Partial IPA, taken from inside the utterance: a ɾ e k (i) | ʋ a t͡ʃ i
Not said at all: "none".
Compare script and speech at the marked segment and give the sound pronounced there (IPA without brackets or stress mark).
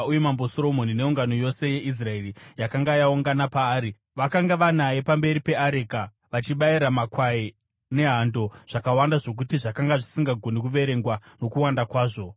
a